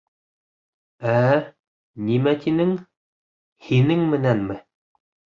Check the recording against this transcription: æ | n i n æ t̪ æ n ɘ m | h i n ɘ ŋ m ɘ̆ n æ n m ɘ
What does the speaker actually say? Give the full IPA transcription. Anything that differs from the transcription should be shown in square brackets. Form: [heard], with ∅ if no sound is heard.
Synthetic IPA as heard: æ | n i [m] æ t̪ [i] n ɘ [ŋ] | h i n ɘ ŋ m ɘ̆ n æ n m ɘ